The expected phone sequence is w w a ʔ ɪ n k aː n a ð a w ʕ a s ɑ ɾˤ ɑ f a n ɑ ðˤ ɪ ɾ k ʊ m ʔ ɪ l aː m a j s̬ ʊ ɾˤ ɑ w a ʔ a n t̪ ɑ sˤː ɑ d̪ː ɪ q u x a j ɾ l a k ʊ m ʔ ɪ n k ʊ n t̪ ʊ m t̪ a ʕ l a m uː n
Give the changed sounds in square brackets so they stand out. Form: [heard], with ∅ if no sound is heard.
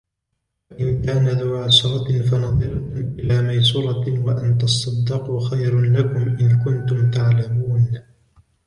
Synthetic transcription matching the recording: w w a ʔ ɪ n k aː n a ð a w ʕ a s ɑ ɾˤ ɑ f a n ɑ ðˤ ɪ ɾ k ʊ m ʔ ɪ l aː m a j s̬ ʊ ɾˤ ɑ w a ʔ a n t̪ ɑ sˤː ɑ d̪ː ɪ q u x a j ɾ l a k ʊ m ʔ ɪ n k ʊ n t̪ ʊ m t̪ a ʕ l a m uː n